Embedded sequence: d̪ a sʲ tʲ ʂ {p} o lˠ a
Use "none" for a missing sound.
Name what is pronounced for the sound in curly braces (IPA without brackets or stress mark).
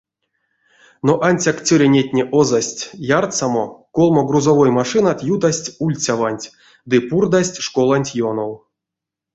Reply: k